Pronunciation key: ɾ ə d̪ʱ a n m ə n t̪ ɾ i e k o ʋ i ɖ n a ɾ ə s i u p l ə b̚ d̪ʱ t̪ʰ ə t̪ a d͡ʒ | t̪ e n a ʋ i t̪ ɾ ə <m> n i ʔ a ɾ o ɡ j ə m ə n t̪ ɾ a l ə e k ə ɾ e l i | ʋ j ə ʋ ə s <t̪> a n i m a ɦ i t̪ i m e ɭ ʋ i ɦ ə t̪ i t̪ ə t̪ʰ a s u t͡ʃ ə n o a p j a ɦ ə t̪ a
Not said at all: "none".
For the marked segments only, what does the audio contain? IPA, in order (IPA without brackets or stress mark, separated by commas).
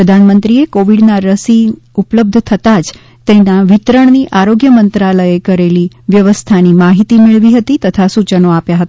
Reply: ɳ, t̪ʰ